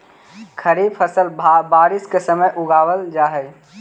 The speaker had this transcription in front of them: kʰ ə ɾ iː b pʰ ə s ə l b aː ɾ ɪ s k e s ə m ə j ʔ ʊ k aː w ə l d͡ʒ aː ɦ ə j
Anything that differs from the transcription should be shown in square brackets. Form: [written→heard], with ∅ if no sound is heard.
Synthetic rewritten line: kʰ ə ɾ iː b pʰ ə s ə l b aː ɾ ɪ s k e s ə m ə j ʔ ʊ [k→ɡ] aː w ə l d͡ʒ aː ɦ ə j